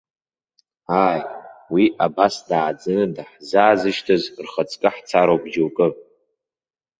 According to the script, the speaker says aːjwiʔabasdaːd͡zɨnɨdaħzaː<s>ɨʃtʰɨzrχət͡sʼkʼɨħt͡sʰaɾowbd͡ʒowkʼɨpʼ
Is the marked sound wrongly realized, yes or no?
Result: yes